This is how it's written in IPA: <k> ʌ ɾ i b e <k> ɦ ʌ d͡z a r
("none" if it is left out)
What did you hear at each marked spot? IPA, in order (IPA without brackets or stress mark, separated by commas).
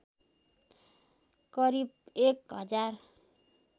k, k